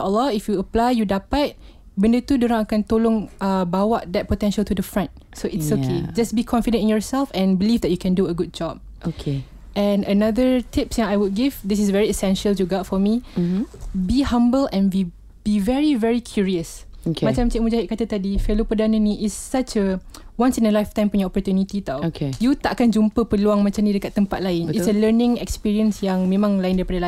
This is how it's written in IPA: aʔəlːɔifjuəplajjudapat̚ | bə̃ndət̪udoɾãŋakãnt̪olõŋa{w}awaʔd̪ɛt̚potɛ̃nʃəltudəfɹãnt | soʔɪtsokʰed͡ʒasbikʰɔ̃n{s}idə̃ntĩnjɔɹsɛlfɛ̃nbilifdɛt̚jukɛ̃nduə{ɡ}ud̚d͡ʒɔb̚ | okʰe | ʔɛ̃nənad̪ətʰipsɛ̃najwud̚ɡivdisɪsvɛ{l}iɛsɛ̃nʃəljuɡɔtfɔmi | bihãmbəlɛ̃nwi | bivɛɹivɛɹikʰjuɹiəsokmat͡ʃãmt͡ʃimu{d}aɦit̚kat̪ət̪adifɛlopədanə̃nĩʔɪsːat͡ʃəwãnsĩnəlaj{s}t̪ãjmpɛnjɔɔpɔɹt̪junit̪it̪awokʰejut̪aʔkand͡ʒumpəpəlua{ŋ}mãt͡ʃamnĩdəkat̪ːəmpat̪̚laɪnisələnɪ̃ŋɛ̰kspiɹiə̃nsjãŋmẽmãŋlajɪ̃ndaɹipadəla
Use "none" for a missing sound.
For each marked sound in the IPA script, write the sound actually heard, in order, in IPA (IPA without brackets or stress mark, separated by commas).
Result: b, f, ɡ, ɹ, d͡ʒ, f, ŋ